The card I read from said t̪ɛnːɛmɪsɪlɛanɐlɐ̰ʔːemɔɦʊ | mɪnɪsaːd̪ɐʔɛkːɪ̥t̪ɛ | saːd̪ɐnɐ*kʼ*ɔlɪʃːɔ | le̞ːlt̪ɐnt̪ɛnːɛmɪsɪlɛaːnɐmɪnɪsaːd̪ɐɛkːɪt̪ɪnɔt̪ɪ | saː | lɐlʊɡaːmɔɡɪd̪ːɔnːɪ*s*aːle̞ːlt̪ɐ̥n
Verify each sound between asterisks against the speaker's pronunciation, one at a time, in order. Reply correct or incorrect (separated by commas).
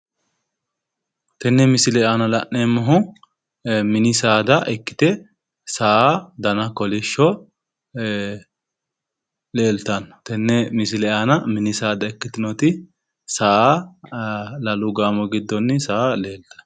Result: incorrect, correct